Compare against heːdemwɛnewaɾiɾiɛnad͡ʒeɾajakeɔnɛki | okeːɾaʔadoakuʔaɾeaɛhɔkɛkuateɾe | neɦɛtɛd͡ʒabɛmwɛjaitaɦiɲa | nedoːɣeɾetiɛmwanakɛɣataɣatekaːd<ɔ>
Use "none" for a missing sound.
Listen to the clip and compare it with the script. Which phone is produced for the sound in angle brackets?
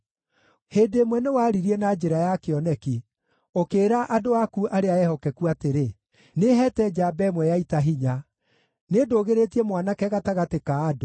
o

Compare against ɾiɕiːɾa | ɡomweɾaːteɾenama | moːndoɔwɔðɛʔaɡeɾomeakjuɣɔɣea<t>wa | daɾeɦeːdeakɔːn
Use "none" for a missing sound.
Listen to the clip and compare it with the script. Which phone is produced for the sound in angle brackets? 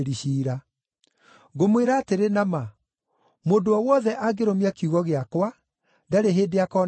k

